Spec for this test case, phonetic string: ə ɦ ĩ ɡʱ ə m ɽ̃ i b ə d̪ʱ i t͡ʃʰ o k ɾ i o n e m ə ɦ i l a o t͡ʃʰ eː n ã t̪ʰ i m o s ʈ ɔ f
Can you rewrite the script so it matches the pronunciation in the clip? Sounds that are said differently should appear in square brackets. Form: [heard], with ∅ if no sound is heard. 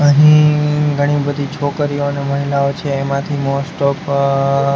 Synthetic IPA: ə ɦ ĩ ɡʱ ə [∅] ɽ̃ i b ə d̪ʱ i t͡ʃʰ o k ɾ i o n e m ə ɦ i l a o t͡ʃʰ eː [m] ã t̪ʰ i m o s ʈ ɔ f